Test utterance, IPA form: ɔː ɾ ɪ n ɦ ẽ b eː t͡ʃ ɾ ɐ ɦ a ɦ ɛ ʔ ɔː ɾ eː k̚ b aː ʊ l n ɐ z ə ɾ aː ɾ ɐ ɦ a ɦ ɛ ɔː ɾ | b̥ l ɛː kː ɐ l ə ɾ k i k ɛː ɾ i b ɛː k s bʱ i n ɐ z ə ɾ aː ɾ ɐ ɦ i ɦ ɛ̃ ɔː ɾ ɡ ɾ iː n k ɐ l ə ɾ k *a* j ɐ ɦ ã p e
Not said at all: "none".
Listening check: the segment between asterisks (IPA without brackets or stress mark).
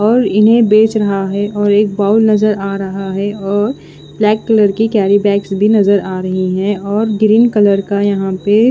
a